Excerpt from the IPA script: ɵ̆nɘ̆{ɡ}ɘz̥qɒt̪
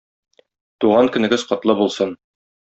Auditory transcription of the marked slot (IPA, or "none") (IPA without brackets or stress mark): ɡ